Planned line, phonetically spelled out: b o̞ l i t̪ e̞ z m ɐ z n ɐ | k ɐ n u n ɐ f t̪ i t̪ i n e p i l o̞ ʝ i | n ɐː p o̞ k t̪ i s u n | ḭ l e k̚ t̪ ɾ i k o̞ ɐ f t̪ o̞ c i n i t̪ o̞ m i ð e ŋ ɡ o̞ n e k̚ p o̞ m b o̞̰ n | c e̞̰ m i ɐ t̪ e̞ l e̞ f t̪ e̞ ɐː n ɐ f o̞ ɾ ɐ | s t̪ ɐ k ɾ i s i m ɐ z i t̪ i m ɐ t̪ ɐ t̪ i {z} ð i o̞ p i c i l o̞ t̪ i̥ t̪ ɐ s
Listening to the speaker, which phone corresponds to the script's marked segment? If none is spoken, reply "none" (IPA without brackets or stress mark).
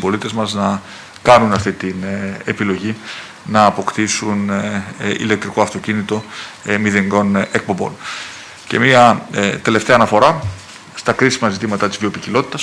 z